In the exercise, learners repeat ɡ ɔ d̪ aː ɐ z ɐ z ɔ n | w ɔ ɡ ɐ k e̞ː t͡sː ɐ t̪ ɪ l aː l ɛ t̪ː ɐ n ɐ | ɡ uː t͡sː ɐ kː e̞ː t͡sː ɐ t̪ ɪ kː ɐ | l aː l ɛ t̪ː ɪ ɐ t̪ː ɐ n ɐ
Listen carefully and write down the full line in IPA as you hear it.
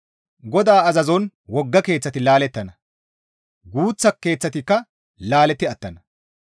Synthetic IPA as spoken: ɡ ɔ d̪ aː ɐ z ɐ z ɔ n | w ɔ ɡː ɐ k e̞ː t͡sː ɐ t̪ ɪ l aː l ɛ t̪ː ɐ n ɐ | ɡ uː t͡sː ɐ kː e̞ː t͡sː ɐ t̪ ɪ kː ɐ | l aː l ɛ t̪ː ɪ ɐ t̪ː ɐ n ɐ